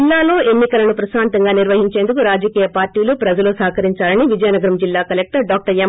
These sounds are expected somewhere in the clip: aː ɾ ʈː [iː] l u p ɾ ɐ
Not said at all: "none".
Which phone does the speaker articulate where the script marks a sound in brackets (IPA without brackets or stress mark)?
iː